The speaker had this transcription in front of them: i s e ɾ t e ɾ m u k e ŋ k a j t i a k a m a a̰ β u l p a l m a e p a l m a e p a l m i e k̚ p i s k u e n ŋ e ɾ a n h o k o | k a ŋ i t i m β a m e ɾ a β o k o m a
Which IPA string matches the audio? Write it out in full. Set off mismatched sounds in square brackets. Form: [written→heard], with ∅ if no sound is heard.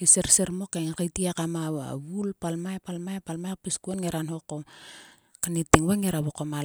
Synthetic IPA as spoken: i s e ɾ [t→s] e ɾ m [u→o] k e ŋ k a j t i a k a m a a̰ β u l p a l m a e p a l m a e p a l m [i→a] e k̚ p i s k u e n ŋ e ɾ a n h o k o | k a [ŋ→n] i t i [m→ŋ] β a [m→ŋ] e ɾ a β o k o m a